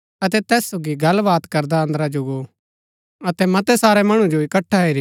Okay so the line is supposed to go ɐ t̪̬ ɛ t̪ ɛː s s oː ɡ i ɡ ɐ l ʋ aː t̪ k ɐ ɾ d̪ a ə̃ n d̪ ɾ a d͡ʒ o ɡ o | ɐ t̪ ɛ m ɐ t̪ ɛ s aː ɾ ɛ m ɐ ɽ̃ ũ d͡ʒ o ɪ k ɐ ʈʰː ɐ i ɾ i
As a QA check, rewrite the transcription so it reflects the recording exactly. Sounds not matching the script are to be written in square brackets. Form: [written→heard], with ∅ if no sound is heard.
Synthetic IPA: ɐ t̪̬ ɛ t̪ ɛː s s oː ɡ i ɡ ɐ l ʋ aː t̪ k ɐ ɾ d̪ a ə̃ n d̪ ɾ a d͡ʒ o ɡ o | ɐ t̪ ɛ m ɐ t̪ ɛ s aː ɾ ɛ m ɐ ɽ̃ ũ d͡ʒ o ɪ k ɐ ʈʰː [ɐ→a] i ɾ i